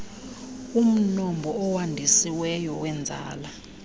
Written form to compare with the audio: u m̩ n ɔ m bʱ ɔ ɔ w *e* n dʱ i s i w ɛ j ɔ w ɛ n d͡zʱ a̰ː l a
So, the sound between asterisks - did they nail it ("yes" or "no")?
no